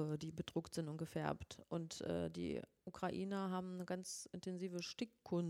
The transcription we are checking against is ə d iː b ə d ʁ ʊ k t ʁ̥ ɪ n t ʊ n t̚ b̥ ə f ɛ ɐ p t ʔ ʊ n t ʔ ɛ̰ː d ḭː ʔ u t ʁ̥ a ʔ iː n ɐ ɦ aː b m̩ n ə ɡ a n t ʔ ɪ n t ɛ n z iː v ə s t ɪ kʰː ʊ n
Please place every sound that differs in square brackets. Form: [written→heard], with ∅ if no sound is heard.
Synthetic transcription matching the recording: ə d iː b ə d ʁ ʊ k t [ʁ̥→z̥] ɪ n t ʊ n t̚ [b̥→ɡ̥] ə f ɛ ɐ p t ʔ ʊ n t ʔ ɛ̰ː d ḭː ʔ u [t→k] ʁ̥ a ʔ iː n ɐ ɦ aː b m̩ n ə ɡ a n [t→t͡s] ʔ ɪ n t ɛ n z iː v ə [s→ʃ] t ɪ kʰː ʊ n